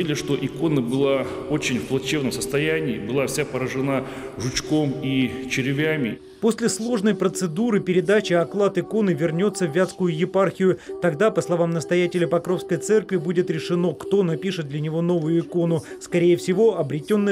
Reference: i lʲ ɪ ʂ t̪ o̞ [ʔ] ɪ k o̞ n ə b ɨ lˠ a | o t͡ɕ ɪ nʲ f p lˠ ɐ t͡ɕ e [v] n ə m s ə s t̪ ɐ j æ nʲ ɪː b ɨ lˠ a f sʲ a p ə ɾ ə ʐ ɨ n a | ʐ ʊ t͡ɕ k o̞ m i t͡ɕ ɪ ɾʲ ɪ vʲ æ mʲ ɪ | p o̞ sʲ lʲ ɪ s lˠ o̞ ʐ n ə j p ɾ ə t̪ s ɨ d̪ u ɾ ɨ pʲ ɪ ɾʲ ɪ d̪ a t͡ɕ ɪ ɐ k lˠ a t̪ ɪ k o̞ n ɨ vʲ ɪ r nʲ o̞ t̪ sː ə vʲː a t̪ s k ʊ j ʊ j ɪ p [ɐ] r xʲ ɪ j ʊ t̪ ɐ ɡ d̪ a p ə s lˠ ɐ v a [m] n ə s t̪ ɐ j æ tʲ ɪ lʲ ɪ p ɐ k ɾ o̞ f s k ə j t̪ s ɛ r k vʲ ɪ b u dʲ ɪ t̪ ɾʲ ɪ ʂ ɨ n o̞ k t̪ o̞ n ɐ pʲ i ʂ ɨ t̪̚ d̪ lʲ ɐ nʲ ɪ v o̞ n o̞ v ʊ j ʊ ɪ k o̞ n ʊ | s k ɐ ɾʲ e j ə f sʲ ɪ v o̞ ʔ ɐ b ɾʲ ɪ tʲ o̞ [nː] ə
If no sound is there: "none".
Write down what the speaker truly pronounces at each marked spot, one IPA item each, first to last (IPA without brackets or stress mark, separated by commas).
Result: ʔ, v, a, m, nː